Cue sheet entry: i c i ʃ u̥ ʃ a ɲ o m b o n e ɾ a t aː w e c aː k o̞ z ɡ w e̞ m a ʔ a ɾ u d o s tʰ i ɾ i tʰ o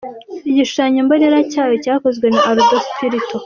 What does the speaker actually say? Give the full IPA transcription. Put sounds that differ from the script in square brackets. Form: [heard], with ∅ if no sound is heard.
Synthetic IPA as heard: i [ɟ] i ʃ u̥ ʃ a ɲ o m b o n e ɾ a [c] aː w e c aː k o̞ z ɡ w e̞ [n] a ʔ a ɾ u d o s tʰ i ɾ i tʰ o